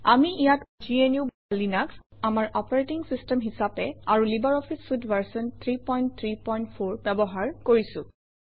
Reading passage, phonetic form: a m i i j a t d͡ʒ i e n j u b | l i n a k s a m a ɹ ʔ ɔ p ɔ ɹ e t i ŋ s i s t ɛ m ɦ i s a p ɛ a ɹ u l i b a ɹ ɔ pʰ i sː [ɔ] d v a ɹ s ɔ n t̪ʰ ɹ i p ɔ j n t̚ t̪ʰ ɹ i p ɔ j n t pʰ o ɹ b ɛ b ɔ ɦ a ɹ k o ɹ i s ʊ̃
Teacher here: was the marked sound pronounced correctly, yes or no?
no